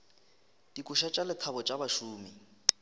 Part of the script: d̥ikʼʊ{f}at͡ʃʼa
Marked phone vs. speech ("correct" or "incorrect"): incorrect